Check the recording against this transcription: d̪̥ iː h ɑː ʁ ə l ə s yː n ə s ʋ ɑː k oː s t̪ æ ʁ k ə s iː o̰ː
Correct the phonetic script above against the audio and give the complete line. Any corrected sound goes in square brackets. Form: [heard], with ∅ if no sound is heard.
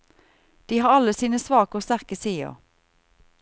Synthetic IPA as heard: d̪̥ iː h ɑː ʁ [ɑ] l ə s [iː] n ə s ʋ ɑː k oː s t̪ æ ʁ k ə s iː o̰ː